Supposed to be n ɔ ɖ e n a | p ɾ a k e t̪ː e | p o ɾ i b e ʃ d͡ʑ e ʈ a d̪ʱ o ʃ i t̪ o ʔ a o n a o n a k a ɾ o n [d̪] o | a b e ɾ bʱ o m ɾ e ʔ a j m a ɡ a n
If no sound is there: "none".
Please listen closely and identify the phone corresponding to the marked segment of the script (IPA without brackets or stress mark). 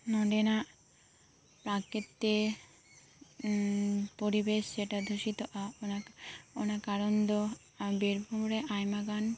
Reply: d̪